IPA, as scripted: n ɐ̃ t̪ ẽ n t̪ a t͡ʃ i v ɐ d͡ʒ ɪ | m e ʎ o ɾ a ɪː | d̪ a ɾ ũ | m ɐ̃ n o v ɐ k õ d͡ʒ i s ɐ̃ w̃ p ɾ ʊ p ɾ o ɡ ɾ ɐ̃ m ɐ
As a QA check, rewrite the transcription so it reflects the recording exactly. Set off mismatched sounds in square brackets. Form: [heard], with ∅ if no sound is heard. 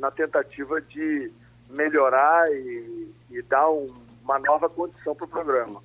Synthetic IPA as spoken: n [ɐ] t̪ ẽ n t̪ a t͡ʃ i v ɐ d͡ʒ ɪ | m e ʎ o ɾ a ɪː | d̪ a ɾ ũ | m [ɐ] n [ɔ] v ɐ k õ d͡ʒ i s ɐ̃ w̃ p ɾ ʊ p ɾ o ɡ ɾ ɐ̃ m ɐ